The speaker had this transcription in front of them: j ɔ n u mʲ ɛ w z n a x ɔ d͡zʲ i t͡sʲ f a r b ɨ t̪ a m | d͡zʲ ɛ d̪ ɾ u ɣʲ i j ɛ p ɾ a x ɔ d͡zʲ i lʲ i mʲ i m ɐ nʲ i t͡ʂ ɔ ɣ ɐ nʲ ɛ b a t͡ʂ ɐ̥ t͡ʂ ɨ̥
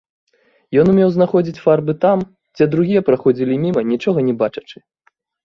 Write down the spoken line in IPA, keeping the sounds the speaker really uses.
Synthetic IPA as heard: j ɔ n u mʲ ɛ w z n a x ɔ d͡zʲ i t͡sʲ f a r b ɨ t̪ a m | d͡zʲ ɛ d̪ ɾ u ɣʲ i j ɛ p ɾ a x ɔ d͡zʲ i lʲ i mʲ i m ɐ nʲ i t͡ʂ ɔ ɣ ɐ nʲ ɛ b a t͡ʂ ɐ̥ t͡ʂ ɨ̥

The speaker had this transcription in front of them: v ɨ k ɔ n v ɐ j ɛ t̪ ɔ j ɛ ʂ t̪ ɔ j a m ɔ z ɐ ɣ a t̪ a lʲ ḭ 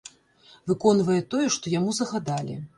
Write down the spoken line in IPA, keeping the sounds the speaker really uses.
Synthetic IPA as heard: v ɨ k ɔ n v ɐ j ɛ t̪ ɔ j ɛ ʂ t̪ ɔ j a m u z ɐ ɣ a d̪ a lʲ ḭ

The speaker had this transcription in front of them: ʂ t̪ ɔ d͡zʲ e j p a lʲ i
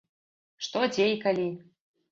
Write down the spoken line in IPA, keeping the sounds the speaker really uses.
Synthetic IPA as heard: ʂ t̪ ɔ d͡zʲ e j k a lʲ i

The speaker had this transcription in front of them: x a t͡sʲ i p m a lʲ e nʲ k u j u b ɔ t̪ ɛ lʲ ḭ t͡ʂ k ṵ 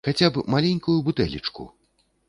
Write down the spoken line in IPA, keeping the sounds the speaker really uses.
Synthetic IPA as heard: x a t͡sʲ a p m a lʲ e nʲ k u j u b u t̪ ɛ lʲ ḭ t͡ʂ k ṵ

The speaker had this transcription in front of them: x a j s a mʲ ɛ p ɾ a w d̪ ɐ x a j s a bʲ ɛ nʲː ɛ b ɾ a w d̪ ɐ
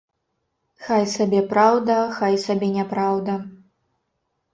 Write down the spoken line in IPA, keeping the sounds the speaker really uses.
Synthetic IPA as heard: x a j s a bʲ ɛ p ɾ a w d̪ ɐ x a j s a bʲ ɛ nʲ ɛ p ɾ a w d̪ ɐ

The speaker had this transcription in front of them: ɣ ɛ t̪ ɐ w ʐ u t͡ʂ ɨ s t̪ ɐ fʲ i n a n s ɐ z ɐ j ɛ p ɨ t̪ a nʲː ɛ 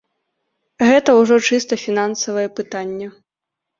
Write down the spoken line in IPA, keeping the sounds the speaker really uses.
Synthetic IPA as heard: ɣ ɛ t̪ ɐ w ʐ ɔ t͡ʂ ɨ s t̪ ɐ fʲ i n a n s ɐ v ɐ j ɛ p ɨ t̪ a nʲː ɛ

